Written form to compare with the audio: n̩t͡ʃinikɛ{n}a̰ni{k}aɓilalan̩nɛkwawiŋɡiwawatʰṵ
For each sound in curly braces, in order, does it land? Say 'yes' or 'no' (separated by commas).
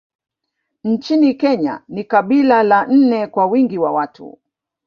no, yes